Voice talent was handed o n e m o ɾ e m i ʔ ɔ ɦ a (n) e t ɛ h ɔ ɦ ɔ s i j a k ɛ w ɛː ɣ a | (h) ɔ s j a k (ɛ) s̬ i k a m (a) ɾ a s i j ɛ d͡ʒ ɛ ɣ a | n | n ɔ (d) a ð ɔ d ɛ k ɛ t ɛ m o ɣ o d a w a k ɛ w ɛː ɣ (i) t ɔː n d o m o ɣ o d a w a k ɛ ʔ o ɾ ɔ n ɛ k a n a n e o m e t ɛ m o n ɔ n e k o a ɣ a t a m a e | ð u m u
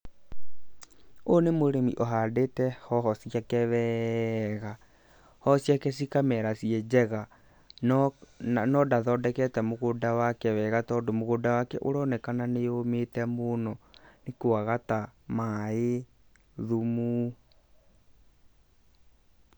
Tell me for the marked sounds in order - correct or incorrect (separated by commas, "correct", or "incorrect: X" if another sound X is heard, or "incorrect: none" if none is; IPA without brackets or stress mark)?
incorrect: d, correct, correct, incorrect: ɛ, correct, incorrect: a